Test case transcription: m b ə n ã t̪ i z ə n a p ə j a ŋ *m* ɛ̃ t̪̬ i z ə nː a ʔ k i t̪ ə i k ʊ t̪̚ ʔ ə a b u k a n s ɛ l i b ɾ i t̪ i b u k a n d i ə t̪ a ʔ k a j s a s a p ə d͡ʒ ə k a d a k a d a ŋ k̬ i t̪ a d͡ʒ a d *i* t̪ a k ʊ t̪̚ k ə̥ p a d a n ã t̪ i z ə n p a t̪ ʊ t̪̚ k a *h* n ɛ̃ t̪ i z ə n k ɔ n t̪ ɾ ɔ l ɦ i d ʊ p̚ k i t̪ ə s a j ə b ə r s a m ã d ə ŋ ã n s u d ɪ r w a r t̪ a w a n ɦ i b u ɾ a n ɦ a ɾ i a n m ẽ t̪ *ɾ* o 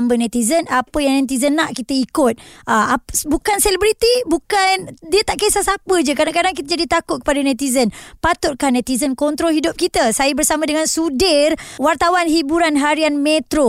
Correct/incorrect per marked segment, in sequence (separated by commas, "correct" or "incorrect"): incorrect, correct, correct, correct